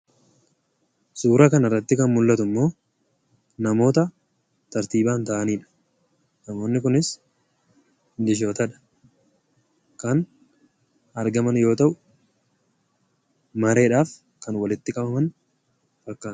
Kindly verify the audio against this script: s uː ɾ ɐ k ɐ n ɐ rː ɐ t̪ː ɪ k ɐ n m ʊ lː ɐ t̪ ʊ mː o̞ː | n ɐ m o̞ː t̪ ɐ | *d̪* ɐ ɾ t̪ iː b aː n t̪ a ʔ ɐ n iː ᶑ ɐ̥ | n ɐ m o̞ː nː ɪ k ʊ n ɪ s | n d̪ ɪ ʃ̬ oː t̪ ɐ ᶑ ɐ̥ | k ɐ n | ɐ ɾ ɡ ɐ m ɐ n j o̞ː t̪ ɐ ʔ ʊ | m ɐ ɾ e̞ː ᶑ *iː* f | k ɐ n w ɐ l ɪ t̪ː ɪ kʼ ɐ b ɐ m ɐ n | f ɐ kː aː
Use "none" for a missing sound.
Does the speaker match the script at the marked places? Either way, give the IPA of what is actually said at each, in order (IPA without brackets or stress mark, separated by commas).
t̪, aː